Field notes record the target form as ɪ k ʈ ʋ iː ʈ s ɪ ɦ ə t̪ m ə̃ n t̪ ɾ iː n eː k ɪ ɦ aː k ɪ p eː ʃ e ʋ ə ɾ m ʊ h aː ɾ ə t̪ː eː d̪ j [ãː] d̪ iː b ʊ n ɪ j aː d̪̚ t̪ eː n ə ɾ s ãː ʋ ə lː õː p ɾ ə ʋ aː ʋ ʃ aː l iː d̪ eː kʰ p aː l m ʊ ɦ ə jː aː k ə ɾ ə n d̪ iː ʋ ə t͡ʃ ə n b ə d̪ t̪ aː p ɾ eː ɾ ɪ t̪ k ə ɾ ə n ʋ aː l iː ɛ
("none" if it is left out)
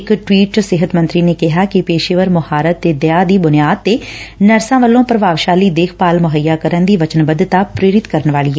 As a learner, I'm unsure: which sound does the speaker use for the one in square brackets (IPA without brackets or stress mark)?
aː